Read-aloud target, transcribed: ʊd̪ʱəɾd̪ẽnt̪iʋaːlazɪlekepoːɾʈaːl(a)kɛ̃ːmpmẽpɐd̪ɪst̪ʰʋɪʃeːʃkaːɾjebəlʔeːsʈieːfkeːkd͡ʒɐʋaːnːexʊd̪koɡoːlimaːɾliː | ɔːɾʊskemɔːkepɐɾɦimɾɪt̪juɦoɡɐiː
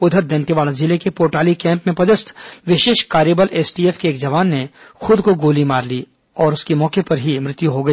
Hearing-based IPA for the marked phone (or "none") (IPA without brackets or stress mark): i